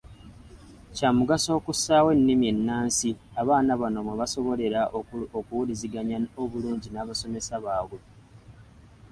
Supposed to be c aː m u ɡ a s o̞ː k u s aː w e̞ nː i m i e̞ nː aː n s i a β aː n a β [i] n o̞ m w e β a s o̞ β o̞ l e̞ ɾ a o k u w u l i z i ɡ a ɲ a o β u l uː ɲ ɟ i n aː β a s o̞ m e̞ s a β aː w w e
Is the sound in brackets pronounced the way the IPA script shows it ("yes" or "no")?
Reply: no